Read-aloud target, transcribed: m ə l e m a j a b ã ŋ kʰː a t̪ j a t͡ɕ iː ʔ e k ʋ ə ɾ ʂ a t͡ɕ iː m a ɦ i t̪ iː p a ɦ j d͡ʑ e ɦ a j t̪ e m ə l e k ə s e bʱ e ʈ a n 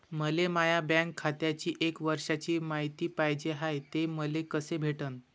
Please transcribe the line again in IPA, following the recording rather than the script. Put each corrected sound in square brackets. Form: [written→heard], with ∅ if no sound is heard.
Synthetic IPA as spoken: m ə l e m a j a b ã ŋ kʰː a t̪ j a t͡ɕ iː ʔ e k ʋ ə ɾ ʂ a t͡ɕ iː m a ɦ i t̪ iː p a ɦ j d͡ʑ e ɦ a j t̪ e m ə l e k ə s e bʱ e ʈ [a→ə] n